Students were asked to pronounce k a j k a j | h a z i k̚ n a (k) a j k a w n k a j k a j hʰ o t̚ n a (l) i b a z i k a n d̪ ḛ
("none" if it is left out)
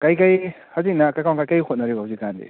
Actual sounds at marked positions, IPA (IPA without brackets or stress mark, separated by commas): k, ɾ